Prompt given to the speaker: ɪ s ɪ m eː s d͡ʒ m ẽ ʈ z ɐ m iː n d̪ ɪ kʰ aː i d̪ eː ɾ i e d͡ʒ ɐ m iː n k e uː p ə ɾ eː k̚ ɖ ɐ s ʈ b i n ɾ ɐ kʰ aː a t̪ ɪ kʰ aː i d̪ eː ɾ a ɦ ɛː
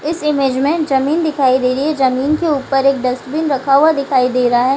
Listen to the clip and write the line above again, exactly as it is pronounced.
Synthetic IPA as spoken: ɪ s ɪ m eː d͡ʒ m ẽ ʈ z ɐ m iː n d̪ ɪ kʰ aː i d̪ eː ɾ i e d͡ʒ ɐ m iː n k e uː p ə ɾ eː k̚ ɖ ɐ s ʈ b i n ɾ ɐ kʰ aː a d̪ ɪ kʰ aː i d̪ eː ɾ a ɦ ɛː